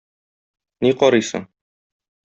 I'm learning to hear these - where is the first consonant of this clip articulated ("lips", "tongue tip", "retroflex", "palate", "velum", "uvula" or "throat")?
tongue tip